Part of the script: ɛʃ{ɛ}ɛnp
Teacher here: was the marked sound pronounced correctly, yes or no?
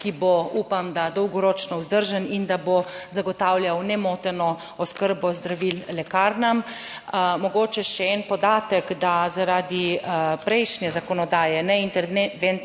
yes